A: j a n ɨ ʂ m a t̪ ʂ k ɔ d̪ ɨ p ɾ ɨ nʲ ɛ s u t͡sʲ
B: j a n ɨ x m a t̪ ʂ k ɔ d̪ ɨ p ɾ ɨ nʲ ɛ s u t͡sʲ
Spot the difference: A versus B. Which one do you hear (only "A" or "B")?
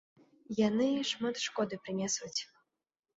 A